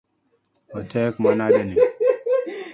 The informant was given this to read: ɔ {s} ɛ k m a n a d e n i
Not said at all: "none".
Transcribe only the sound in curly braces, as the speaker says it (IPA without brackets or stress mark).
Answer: t